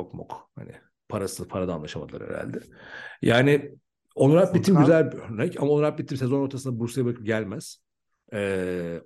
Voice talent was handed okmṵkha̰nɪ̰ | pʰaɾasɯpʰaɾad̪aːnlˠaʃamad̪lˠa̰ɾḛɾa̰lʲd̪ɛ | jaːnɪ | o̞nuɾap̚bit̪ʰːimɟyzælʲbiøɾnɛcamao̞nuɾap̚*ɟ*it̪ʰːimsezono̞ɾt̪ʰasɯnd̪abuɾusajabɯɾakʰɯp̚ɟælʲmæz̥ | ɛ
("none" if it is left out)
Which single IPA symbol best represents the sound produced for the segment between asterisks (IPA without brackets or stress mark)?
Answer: b